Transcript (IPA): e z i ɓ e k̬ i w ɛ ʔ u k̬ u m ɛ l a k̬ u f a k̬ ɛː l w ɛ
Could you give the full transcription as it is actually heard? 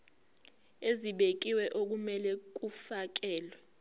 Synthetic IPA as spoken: e z i ɓ e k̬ i w ɛ ʔ o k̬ u m ɛ l ɛ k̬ u f a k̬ ɛː l w ɛ